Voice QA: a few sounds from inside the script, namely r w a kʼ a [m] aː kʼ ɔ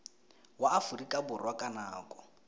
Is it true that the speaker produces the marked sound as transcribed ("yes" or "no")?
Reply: no